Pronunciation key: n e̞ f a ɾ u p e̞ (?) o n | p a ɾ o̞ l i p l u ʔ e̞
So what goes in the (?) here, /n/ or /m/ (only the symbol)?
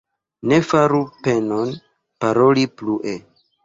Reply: n